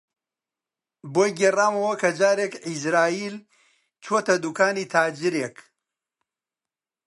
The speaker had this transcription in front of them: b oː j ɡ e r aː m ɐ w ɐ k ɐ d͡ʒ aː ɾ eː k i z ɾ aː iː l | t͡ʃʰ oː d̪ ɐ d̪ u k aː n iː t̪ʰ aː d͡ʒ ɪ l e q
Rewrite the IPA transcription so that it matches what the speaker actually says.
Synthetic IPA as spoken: b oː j ɡ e r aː m ɐ w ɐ k ɐ d͡ʒ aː ɾ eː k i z ɾ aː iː l | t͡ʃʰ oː t̪ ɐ d̪ u k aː n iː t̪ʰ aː d͡ʒ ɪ ɾ e k